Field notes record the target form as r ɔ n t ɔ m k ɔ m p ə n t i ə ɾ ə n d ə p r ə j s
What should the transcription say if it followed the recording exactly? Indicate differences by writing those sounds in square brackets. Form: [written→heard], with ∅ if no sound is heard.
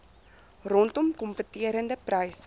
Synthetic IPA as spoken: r ɔ n t ɔ m k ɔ m p ə [n→∅] t i ə ɾ ə n d ə p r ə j s